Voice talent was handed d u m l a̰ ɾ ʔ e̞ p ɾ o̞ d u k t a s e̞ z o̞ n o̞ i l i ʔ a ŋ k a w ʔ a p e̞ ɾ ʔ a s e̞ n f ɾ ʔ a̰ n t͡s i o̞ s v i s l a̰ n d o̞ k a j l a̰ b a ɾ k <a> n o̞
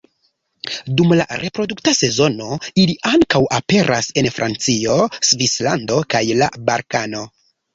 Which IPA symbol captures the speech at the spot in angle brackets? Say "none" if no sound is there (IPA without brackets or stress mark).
a